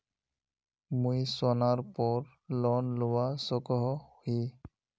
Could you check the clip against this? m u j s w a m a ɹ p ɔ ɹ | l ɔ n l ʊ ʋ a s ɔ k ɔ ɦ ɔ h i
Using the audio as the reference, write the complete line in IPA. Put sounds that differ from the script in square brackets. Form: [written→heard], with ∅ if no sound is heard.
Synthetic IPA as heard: m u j s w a [m→n] a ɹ p ɔ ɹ | l ɔ n l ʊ [ʋ→w] a s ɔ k ɔ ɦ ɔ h i